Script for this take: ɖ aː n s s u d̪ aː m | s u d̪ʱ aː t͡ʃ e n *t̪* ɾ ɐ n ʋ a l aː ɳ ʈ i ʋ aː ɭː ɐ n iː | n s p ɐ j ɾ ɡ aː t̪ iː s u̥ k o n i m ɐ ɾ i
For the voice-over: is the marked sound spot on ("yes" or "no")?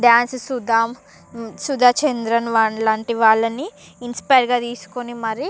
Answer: no